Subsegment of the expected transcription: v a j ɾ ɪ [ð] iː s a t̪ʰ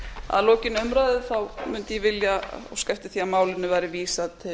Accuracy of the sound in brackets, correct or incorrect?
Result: incorrect